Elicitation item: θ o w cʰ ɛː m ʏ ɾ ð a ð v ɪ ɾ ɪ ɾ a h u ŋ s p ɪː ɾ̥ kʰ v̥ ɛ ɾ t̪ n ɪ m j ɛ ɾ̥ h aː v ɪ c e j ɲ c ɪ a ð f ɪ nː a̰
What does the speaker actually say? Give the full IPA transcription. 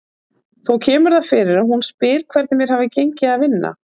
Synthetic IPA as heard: θ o w cʰ ɛː m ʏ ɾ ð a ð f ɪ ɾ ɪ ɾ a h u n s p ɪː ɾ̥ kʰ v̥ ɛ ɾ t̪ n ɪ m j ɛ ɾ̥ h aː v ɪ c e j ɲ c ɪ a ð v ɪ nː a̰

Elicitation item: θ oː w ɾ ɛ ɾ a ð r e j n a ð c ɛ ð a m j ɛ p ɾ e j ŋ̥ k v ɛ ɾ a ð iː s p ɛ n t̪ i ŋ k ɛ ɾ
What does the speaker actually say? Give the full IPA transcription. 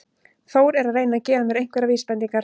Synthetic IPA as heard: θ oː w ɾ ɛ ɾ a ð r e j n a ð c ɛː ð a m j ɛ ɾ e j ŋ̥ k v ɛ ɾ a v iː s p ɛ n t̪ i ŋ k a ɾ

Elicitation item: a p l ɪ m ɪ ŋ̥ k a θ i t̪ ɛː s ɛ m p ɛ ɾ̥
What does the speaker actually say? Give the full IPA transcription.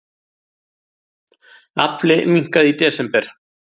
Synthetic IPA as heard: a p l ɪ m i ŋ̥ k a ð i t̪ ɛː s ɛ m p ɛ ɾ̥

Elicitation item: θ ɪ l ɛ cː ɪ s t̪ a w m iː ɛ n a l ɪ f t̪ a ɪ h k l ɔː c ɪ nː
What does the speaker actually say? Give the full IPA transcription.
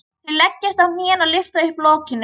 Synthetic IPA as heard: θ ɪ l ɛ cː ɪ s t̪ a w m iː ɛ n a l ɪ f t̪ a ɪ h p l ɔː c ɪ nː

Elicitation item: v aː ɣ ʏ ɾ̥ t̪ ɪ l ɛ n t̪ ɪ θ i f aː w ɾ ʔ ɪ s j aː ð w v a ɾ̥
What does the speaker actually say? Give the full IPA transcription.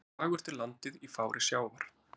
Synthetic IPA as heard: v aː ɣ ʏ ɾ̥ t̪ ɪ l a n t̪ ɪ ð i f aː w ɾ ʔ ɪ s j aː w v a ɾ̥

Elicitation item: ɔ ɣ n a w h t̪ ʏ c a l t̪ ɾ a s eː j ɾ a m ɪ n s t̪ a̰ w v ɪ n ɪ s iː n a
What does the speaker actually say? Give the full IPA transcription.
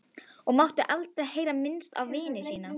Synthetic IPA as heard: ɔ ɣ m a w h t̪ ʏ ʔ a l t̪ ɾ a h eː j ɾ a m ɪ n s t̪ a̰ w v ɪː n ɪ s iː n a

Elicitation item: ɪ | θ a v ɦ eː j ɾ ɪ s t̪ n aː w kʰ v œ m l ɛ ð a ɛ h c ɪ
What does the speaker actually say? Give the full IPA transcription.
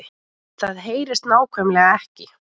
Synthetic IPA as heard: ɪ | θ a ð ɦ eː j ɾ ɪ s t̪ n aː w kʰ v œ m l ɛ ɣ a ɛ h c ɪ

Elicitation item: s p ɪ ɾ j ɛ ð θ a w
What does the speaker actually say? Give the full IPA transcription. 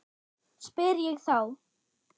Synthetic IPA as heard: s p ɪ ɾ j ɛ ɣ θ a w

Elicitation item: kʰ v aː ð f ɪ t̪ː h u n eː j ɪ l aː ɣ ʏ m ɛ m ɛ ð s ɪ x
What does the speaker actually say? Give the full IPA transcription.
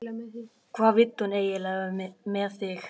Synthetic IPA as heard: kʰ v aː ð v ɪ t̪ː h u n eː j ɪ l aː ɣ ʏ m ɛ m ɛ ð θ ɪ x

